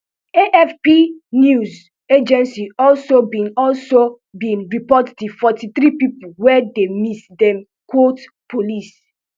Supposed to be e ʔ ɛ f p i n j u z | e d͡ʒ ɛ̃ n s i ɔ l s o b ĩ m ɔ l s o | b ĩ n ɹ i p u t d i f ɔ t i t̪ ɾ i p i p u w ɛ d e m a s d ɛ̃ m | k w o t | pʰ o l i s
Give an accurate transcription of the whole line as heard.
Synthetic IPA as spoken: e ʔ ɛ f p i n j u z | e d͡ʒ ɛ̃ n s i ɔ l s o b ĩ n ɔ l s o | b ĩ n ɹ i p ɔ t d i f ɔ t i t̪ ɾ i p i p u w ɛ d e m i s d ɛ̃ m | k w o t | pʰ o l i s